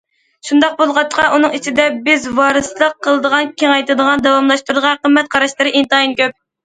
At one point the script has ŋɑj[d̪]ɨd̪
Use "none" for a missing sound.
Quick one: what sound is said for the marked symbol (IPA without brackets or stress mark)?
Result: t̪